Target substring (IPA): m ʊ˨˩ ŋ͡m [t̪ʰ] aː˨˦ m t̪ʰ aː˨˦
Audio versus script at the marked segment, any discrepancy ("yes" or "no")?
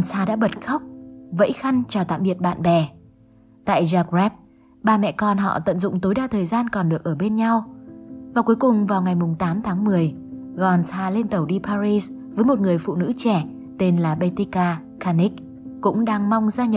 yes